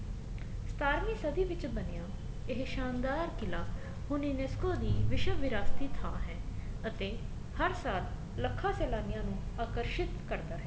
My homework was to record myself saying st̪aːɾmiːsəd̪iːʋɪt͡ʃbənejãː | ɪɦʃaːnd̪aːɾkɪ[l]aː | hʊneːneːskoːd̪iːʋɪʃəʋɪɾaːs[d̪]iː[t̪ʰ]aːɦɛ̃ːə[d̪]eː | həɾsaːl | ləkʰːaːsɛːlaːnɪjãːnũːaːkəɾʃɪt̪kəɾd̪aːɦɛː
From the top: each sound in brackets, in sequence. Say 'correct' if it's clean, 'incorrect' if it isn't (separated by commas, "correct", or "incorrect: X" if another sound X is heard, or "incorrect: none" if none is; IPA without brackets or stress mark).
correct, incorrect: t̪, correct, incorrect: t̪